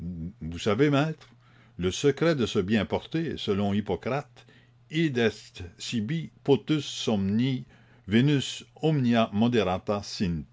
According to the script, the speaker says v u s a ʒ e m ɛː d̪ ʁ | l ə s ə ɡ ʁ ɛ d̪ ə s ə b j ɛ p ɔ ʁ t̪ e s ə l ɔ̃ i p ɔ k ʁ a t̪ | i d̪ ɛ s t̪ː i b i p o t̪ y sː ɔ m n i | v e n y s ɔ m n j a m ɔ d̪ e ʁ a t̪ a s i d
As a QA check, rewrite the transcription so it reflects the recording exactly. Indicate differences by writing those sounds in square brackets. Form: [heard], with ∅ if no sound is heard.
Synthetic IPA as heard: v u s a [v] e m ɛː [t̪] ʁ | l ə s ə [k] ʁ ɛ d̪ ə s ə b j [ɛ̃] p ɔ ʁ t̪ e s ə l ɔ̃ i p ɔ k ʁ a t̪ | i d̪ ɛ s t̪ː i b i p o t̪ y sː ɔ m n i | v e n y s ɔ m n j a m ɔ d̪ e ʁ a t̪ a s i [n]